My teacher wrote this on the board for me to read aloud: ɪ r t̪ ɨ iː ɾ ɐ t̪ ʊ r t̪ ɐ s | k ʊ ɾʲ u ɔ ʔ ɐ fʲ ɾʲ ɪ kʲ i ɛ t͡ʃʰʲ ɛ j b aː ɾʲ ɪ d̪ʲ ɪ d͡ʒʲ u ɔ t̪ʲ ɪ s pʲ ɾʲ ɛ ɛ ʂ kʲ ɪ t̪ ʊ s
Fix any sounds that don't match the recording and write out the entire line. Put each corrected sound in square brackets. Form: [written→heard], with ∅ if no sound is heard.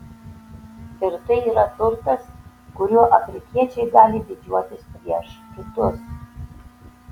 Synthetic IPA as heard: ɪ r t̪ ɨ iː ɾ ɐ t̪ ʊ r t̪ ɐ s | k ʊ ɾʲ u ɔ ʔ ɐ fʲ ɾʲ ɪ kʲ i ɛ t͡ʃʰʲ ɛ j [b→ɡ] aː [ɾʲ→lʲ] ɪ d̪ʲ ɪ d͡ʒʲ u ɔ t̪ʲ ɪ s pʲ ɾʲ [ɛ→i] ɛ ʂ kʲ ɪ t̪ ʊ s